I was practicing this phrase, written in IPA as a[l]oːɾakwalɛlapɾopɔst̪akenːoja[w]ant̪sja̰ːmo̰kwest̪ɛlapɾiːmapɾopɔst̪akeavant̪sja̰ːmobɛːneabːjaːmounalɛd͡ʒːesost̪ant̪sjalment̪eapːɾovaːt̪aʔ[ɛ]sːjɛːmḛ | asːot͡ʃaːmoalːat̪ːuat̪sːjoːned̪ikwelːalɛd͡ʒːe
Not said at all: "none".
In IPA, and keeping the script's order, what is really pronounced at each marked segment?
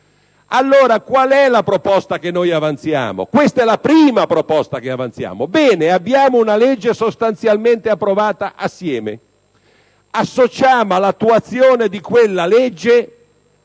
lː, v, a

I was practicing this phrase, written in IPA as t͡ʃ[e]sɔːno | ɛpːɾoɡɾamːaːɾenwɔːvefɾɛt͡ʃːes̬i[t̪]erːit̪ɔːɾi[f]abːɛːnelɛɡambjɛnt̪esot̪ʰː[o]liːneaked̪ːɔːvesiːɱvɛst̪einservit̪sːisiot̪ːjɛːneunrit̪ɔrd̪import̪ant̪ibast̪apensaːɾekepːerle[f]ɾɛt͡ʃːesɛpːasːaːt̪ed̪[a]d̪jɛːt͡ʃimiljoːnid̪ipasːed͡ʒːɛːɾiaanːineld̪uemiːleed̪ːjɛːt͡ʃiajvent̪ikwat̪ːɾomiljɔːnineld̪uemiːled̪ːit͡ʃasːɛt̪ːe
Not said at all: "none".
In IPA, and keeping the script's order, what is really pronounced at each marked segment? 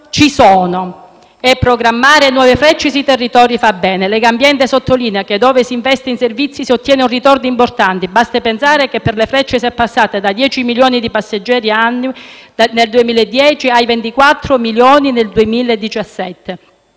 i, t̪, f, o, f, a

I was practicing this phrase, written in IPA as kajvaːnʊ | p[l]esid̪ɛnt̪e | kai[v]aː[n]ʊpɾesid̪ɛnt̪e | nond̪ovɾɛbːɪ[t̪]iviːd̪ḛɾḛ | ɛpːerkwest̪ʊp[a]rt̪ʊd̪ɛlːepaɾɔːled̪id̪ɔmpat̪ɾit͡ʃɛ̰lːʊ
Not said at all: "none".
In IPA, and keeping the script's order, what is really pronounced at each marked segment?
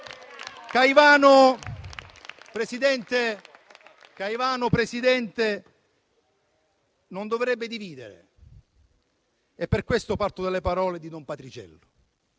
ɾ, v, n, d̪, a

